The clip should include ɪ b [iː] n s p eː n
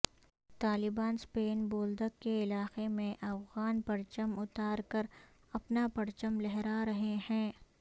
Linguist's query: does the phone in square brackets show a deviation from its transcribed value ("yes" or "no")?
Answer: yes